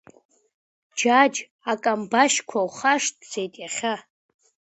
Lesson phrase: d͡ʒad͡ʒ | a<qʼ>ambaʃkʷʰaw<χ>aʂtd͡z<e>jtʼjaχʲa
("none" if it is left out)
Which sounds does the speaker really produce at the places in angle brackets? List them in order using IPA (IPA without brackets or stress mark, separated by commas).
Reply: kʼ, χ, e